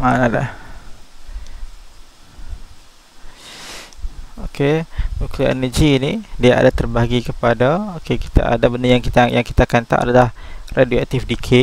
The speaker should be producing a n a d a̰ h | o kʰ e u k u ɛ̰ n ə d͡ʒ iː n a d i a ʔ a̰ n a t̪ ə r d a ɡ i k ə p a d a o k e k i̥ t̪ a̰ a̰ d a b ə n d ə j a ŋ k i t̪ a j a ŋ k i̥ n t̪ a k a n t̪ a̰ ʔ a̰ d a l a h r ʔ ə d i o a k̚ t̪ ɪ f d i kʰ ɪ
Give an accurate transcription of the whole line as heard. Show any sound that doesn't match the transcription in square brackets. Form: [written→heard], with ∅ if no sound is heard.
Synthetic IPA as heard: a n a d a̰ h | o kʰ e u k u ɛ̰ n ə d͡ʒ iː n [a→i] d i a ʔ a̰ [n→d] a t̪ ə r [d→b] a ɡ i k ə p a d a o k e k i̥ t̪ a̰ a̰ d a b ə n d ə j a ŋ k i t̪ a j a ŋ k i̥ [n→∅] t̪ a k a n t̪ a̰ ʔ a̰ d a l a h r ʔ [ə→a] d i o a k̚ t̪ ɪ f d i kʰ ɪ